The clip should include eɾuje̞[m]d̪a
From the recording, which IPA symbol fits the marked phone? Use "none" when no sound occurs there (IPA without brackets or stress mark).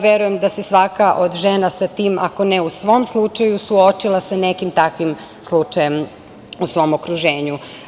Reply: m